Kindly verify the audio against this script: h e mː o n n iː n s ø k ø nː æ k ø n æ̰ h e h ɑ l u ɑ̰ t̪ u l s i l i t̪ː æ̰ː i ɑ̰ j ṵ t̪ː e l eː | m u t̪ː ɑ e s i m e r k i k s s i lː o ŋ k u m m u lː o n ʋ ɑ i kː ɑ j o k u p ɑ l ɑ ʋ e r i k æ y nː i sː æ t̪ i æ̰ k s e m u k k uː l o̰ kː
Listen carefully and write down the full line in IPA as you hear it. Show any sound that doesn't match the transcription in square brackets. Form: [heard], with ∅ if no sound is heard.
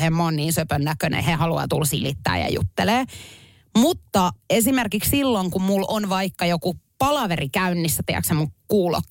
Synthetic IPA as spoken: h e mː o n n iː n s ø [p] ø nː æ k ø n [ḛ] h e h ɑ l u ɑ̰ t̪ u l s i l i t̪ː æ̰ː [j] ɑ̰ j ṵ t̪ː e l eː | m u t̪ː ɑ e s i m e r k i k s s i lː o ŋ k u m m u [l] o n ʋ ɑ i kː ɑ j o k u p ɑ l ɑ ʋ e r i k æ y nː i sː æ t̪ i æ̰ k s e m u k k uː l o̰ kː